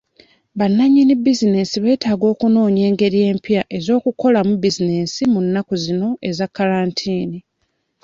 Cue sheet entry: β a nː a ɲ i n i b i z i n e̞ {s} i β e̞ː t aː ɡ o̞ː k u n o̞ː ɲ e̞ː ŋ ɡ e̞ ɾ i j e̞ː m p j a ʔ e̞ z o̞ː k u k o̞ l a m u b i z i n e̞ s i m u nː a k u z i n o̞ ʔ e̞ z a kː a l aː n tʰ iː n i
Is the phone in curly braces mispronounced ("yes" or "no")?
no